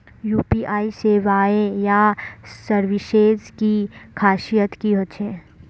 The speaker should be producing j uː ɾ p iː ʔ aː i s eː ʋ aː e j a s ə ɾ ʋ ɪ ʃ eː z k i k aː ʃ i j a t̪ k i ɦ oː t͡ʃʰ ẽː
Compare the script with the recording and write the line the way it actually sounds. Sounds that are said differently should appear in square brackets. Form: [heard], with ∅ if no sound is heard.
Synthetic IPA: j uː [∅] p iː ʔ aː i s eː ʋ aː e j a s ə ɾ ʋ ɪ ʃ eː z k i [kʰ] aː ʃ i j [ə] t̪ k i ɦ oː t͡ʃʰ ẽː